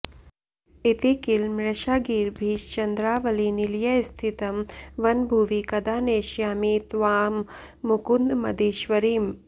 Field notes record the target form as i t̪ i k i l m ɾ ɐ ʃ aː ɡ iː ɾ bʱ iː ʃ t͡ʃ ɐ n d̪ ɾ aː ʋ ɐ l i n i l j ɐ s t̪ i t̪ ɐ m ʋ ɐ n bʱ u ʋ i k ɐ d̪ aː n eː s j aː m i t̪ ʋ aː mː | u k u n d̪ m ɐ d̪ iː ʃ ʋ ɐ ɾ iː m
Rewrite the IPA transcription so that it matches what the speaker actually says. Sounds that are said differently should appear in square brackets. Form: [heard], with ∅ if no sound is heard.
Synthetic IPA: i t̪ i k i l m ɾ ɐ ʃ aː ɡ iː ɾ bʱ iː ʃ t͡ʃ ɐ n d̪ ɾ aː ʋ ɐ l i n i l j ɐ s [t̪ʰ] i t̪ ɐ m ʋ ɐ n bʱ u ʋ i k ɐ d̪ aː n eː [ʃ] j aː m i t̪ ʋ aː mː | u k u n d̪ m ɐ d̪ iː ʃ ʋ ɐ ɾ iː m

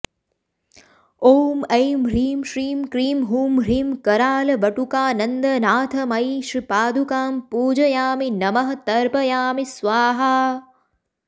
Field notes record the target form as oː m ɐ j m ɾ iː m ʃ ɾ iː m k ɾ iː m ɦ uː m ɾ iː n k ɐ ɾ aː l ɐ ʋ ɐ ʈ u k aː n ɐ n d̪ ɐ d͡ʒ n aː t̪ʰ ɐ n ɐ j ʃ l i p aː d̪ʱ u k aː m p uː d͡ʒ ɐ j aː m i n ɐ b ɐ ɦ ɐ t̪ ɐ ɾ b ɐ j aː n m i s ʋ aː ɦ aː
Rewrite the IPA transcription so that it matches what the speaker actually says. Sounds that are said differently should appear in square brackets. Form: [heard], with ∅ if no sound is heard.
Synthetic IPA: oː m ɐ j m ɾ iː m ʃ ɾ iː m k ɾ iː m ɦ uː m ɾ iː [m] k ɐ ɾ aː l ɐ ʋ ɐ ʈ u k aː n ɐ n d̪ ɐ [∅] n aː t̪ʰ ɐ [m] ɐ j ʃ [ɾ] i p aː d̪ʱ u k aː m p uː d͡ʒ ɐ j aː m i n ɐ [m] ɐ ɦ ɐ t̪ ɐ ɾ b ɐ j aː [∅] m i s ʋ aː ɦ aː

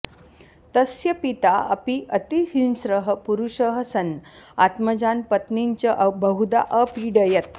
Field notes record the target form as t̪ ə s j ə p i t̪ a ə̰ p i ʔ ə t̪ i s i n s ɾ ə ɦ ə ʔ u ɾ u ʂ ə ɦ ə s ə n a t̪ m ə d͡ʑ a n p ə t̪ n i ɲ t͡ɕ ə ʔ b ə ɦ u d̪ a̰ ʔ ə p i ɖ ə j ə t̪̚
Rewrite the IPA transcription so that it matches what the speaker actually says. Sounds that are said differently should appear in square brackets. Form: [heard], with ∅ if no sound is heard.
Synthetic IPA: t̪ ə s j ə p i t̪ a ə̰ p i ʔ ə t̪ i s i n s ɾ ə ɦ ə [p] u ɾ u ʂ ə ɦ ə s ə n a t̪ m ə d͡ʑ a n p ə t̪ n i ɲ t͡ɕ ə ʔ b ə ɦ u d̪ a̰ ʔ ə p i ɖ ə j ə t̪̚

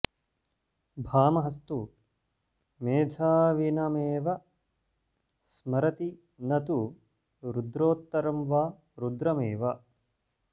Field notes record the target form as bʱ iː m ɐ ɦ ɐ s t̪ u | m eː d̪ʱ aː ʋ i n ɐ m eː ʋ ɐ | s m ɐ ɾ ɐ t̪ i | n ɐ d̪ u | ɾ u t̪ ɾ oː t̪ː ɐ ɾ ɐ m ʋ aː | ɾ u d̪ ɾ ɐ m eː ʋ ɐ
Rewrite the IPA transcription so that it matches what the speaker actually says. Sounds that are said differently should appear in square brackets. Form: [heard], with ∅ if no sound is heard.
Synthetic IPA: bʱ [aː] m ɐ ɦ ɐ s t̪ u | m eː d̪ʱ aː ʋ i n ɐ m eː ʋ ɐ | s m ɐ ɾ ɐ t̪ i | n ɐ [t̪] u | ɾ u [d̪] ɾ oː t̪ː ɐ ɾ ɐ m ʋ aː | ɾ u d̪ ɾ ɐ m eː ʋ ɐ

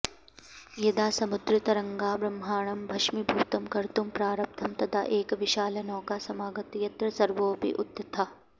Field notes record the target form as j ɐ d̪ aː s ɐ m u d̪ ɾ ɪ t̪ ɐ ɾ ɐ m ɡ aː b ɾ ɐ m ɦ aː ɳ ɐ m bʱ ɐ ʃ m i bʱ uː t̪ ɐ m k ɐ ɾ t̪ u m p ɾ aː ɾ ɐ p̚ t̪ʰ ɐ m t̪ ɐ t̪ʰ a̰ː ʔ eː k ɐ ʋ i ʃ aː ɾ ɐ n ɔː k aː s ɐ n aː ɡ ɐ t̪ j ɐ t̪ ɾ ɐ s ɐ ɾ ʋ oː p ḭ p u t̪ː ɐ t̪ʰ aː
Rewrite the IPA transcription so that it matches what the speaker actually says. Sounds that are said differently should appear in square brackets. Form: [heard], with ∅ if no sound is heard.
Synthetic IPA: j ɐ d̪ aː s ɐ m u d̪ ɾ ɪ t̪ ɐ ɾ ɐ [ŋ] ɡ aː b ɾ ɐ m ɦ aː ɳ ɐ m bʱ ɐ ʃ m i bʱ uː t̪ ɐ m k ɐ ɾ t̪ u m p ɾ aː ɾ ɐ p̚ t̪ʰ ɐ m t̪ ɐ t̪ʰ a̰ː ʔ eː k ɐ ʋ i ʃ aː [l] ɐ n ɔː k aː s ɐ [m] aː ɡ ɐ t̪ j ɐ t̪ ɾ ɐ s ɐ ɾ ʋ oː p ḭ [ʔ] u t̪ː ɐ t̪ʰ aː

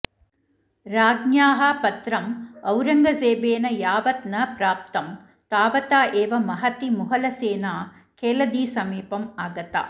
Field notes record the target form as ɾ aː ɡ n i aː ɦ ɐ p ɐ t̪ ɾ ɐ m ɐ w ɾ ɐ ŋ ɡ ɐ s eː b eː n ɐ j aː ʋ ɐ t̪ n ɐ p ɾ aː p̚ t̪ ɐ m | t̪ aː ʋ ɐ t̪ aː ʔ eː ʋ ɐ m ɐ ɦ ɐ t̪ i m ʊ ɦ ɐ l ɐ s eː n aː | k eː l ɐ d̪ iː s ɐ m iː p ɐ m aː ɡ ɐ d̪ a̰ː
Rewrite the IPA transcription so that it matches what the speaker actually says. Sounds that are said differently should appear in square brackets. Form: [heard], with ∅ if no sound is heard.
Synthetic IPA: ɾ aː ɡ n [j] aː ɦ ɐ p ɐ t̪ ɾ ɐ m ɐ w ɾ ɐ ŋ ɡ ɐ s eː b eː n ɐ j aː ʋ ɐ t̪ n ɐ p ɾ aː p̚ t̪ ɐ m | t̪ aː ʋ ɐ t̪ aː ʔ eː ʋ ɐ m ɐ ɦ ɐ t̪ i m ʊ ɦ ɐ l ɐ s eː n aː | k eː l ɐ d̪ iː s ɐ m iː p ɐ m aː ɡ ɐ [t̪] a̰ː

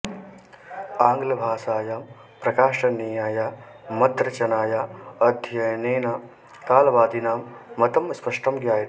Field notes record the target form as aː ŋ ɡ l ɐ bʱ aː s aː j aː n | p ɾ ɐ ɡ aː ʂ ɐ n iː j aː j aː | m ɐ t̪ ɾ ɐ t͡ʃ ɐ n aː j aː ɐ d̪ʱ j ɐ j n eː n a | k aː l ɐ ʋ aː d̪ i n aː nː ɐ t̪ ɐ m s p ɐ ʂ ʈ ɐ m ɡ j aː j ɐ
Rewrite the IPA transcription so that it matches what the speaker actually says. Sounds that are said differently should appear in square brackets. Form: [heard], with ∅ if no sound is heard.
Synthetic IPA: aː ŋ ɡ l ɐ bʱ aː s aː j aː [m] | p ɾ ɐ [k] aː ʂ ɐ n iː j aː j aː | m ɐ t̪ ɾ ɐ t͡ʃ ɐ n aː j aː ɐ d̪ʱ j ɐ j n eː n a | k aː l ɐ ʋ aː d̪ i n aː [mː] ɐ t̪ ɐ m s p ɐ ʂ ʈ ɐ m ɡ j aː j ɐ

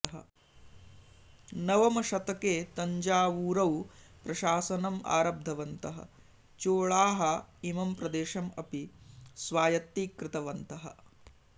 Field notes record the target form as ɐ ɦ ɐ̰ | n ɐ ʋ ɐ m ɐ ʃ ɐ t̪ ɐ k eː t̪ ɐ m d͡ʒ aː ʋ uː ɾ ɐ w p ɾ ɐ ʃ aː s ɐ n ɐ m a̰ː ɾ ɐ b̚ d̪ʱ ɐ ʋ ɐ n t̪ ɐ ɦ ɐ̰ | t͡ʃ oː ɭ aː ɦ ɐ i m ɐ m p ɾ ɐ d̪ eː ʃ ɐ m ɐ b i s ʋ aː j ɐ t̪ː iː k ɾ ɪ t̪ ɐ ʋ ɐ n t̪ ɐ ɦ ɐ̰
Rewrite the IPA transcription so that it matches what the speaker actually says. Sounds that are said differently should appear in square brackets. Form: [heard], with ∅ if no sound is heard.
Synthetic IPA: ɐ ɦ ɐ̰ | n ɐ ʋ ɐ m ɐ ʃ ɐ t̪ ɐ k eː t̪ ɐ [ɲ] d͡ʒ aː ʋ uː ɾ ɐ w p ɾ ɐ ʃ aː s ɐ n ɐ m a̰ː ɾ ɐ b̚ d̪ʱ ɐ ʋ ɐ n t̪ ɐ ɦ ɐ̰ | t͡ʃ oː ɭ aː ɦ ɐ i m ɐ m p ɾ ɐ d̪ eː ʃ ɐ m ɐ [p] i s ʋ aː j ɐ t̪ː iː k ɾ ɪ t̪ ɐ ʋ ɐ n t̪ ɐ ɦ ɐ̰

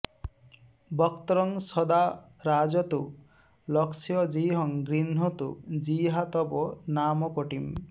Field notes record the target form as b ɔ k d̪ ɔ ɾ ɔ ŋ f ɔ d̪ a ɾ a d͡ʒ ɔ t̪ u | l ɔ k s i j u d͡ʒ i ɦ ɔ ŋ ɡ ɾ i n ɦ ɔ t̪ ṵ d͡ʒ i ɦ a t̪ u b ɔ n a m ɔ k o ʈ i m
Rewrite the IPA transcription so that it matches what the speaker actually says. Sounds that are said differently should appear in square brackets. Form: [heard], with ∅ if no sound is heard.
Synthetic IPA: b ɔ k [t̪] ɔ ɾ ɔ ŋ [s] ɔ d̪ a ɾ a d͡ʒ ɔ t̪ u | l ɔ k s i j [ɔ] d͡ʒ i ɦ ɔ ŋ ɡ ɾ i n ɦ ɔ t̪ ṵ d͡ʒ i ɦ a t̪ [ɔ] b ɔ n a m ɔ k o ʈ i m

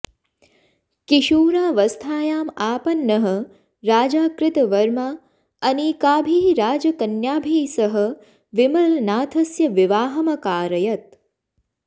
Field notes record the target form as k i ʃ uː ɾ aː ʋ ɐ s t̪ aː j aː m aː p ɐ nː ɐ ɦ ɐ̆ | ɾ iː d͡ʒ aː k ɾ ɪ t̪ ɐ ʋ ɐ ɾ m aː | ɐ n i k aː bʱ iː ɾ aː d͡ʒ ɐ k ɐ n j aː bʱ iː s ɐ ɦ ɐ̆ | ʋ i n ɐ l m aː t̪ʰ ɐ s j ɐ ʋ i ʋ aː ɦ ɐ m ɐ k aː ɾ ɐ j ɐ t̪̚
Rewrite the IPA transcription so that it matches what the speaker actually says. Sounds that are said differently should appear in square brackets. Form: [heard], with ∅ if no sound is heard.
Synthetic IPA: k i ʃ uː ɾ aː ʋ ɐ s [t̪ʰ] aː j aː m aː p ɐ nː ɐ ɦ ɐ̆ | ɾ [aː] d͡ʒ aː k ɾ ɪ t̪ ɐ ʋ ɐ ɾ m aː | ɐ n i k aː bʱ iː ɾ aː d͡ʒ ɐ k ɐ n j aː bʱ iː s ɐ ɦ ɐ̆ | ʋ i [m] ɐ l [n] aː t̪ʰ ɐ s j ɐ ʋ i ʋ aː ɦ ɐ m ɐ k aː ɾ ɐ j ɐ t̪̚

